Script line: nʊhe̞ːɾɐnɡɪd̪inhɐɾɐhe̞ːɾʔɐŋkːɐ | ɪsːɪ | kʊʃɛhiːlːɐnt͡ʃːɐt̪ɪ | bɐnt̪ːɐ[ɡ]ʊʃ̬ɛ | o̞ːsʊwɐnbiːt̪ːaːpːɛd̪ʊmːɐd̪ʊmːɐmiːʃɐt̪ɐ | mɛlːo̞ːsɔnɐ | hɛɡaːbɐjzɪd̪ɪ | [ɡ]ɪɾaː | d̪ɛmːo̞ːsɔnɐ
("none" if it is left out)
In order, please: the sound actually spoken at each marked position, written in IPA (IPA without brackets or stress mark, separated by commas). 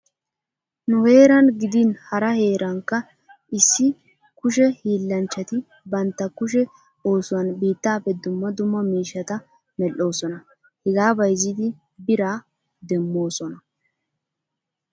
k, b